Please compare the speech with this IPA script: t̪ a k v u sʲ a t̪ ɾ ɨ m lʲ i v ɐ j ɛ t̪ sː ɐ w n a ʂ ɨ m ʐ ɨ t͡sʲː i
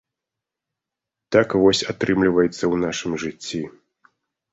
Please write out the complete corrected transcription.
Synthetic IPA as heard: t̪ a k v ɔ sʲ a t̪ ɾ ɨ m lʲ i v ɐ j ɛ t̪ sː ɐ w n a ʂ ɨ m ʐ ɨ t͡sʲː i